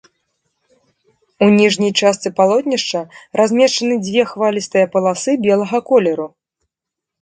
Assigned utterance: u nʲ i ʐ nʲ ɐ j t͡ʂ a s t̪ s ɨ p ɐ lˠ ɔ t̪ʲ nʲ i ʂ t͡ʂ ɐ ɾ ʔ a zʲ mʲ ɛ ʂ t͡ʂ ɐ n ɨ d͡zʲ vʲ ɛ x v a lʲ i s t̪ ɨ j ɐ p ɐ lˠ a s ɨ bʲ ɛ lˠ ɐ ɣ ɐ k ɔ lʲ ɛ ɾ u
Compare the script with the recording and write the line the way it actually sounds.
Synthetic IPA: u nʲ i ʐ nʲ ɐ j t͡ʂ a s t̪ s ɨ p a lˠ ɔ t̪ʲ nʲ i ʂ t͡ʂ ɐ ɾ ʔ a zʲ mʲ ɛ ʂ t͡ʂ ɐ n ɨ d͡zʲ vʲ ɛ x v a lʲ i s t̪ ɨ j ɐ p ɐ lˠ a s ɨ bʲ ɛ lˠ ɐ ɣ ɐ k ɔ lʲ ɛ ɾ u